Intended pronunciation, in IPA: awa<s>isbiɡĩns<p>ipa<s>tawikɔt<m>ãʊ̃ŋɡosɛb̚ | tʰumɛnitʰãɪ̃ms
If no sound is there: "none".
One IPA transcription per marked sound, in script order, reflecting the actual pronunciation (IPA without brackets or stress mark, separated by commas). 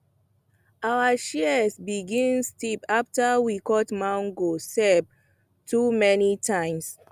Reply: ʃ, t, f, m